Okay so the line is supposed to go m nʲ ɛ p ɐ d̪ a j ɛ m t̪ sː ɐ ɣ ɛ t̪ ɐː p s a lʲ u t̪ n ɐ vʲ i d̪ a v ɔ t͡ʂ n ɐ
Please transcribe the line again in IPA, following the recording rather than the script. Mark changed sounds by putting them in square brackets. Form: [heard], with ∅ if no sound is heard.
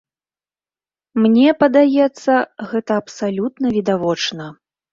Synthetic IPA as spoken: m nʲ ɛ p ɐ d̪ a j ɛ [∅] t̪ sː ɐ ɣ ɛ t̪ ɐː p s a lʲ u t̪ n ɐ vʲ i d̪ a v ɔ t͡ʂ n ɐ